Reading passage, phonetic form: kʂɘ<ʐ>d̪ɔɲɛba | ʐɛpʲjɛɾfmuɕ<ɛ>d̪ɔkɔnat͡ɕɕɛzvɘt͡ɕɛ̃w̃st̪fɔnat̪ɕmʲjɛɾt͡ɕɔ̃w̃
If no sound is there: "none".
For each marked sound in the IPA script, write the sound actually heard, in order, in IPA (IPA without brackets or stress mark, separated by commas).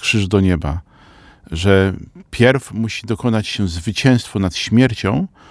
ʐ, i